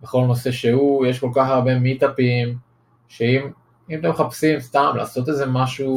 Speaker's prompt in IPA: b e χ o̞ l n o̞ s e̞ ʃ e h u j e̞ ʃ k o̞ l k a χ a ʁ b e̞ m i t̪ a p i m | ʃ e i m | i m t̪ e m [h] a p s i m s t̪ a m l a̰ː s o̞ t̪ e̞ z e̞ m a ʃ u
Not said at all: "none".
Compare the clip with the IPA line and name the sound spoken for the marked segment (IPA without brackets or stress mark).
χ